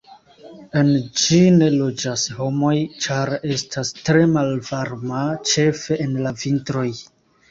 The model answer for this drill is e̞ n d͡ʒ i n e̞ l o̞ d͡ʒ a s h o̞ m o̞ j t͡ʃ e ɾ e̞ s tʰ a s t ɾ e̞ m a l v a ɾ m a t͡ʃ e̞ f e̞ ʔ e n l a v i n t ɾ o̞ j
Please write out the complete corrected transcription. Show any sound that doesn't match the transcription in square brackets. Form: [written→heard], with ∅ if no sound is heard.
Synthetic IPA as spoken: e̞ n d͡ʒ i n e̞ l o̞ d͡ʒ a s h o̞ m o̞ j t͡ʃ [e→a] ɾ e̞ s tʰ a s t ɾ e̞ m a l v a ɾ m a t͡ʃ e̞ f e̞ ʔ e n l a v i n t ɾ o̞ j